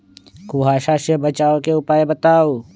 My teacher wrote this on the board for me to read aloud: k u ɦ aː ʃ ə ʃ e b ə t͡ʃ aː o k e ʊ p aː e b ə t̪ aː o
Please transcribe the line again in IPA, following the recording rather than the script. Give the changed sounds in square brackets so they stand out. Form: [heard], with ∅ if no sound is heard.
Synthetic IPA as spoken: k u ɦ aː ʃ [a] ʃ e b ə t͡ʃ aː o k e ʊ p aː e b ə t̪ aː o